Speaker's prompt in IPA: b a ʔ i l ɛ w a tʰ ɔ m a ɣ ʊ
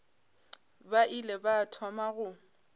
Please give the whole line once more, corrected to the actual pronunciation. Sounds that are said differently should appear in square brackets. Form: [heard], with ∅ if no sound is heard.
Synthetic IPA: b a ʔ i l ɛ [b] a tʰ ɔ m a ɣ ʊ